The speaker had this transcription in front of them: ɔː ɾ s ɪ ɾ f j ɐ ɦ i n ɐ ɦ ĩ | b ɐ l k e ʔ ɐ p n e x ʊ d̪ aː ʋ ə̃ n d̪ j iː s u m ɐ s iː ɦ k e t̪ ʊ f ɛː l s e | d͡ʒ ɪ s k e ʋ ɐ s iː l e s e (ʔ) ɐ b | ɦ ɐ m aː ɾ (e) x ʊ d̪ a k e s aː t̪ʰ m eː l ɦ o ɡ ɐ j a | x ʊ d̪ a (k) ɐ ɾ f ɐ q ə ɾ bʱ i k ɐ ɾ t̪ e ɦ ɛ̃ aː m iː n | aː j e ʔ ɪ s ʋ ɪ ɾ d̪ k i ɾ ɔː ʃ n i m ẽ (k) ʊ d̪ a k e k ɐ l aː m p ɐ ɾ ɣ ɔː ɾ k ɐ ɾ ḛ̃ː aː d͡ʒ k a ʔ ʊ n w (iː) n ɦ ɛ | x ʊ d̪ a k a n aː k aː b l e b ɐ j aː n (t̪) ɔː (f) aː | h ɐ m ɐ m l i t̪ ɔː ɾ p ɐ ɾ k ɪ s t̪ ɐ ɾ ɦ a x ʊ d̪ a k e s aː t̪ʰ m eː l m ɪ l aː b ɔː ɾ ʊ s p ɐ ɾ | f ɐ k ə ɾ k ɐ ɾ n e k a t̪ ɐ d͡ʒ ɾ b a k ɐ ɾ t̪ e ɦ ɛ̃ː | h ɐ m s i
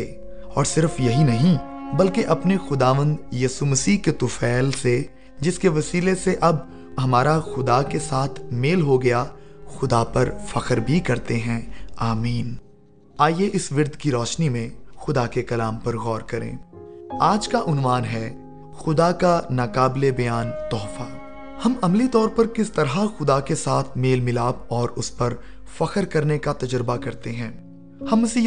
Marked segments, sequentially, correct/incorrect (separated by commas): correct, incorrect, incorrect, incorrect, incorrect, correct, correct